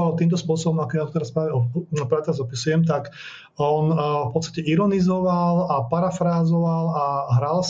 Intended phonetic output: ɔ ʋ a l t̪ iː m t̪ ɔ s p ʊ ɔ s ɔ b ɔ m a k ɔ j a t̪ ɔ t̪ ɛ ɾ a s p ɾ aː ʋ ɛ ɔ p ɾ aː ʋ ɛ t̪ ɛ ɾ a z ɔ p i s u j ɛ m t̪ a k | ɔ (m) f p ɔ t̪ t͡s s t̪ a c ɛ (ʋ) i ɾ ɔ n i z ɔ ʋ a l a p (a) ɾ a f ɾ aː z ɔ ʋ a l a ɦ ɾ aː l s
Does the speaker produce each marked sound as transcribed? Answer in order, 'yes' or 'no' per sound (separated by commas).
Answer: no, no, yes